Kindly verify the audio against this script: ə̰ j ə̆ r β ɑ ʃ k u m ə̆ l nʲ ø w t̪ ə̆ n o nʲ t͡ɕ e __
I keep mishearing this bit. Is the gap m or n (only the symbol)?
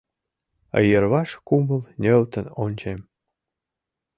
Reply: m